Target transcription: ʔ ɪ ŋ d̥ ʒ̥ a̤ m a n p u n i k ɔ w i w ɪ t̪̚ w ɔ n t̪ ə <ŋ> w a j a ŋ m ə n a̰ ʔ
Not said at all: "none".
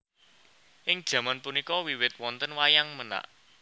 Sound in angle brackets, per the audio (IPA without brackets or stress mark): n